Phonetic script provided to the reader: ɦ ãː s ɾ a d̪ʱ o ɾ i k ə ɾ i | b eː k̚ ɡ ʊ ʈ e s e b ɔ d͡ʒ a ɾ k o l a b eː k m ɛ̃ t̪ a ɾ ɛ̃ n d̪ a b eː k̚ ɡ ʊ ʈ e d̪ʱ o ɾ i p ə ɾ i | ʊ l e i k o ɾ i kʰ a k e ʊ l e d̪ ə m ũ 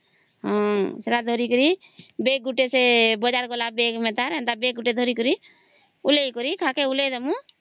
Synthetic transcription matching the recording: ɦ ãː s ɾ a d̪ʱ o ɾ i k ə ɾ i | b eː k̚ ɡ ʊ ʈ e s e b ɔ d͡ʒ a ɾ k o l a b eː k m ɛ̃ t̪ a ɾ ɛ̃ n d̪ a b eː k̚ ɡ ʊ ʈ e d̪ʱ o ɾ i k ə ɾ i | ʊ l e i k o ɾ i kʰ a k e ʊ l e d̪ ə m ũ